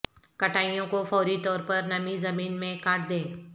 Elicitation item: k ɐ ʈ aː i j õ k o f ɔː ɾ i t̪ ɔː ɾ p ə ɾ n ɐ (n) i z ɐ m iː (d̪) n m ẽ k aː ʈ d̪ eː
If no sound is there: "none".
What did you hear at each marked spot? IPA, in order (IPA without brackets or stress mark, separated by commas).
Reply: m, none